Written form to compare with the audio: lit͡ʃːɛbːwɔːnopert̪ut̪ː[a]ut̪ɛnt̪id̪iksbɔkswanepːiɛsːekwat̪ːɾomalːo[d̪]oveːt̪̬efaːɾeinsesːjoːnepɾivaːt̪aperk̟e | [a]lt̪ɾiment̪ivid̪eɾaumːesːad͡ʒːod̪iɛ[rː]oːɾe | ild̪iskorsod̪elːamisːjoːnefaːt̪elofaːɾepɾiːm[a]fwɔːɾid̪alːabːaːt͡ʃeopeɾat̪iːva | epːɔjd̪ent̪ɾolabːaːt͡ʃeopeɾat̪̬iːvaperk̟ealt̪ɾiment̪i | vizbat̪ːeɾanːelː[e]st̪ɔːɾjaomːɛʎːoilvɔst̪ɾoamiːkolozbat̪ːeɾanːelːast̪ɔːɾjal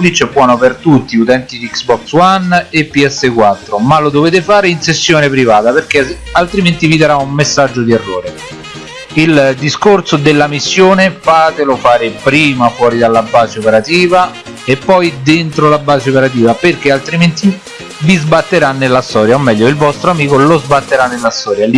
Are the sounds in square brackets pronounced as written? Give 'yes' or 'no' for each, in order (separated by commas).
no, yes, yes, yes, yes, no